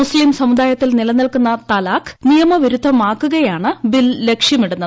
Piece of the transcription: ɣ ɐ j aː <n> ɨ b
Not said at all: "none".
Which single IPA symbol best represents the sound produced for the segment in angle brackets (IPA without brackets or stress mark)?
ɳ